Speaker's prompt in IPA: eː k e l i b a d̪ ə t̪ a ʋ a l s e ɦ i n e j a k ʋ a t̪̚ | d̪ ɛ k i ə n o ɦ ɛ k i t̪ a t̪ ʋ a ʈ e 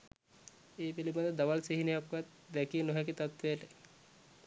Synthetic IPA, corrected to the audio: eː p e l i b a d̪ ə d̪ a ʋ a l s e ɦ i n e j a k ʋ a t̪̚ | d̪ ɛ k i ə n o ɦ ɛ k i t̪ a t̪ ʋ e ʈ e